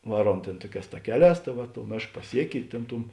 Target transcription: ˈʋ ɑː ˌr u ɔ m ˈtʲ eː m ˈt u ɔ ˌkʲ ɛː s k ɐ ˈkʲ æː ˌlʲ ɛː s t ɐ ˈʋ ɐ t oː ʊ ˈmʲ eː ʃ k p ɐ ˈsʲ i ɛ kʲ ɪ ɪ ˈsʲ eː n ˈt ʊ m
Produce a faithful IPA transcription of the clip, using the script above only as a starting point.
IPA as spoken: ˈʋ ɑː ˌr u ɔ m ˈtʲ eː n ˈt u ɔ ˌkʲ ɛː s t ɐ ˈkʲ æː ˌlʲ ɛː s t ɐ ˈʋ ɐ t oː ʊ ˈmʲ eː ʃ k p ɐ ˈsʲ i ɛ kʲ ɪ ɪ ˈtʲ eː n ˈt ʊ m